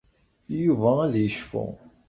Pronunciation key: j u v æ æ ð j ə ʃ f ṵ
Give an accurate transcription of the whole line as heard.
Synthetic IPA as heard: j u v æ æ ð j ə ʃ f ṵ